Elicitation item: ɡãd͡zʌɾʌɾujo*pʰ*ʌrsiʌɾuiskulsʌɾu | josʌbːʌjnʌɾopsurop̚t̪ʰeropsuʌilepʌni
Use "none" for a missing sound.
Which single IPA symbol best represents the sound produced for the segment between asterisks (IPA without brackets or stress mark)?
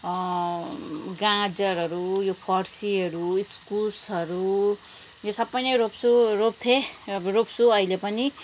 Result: pʰ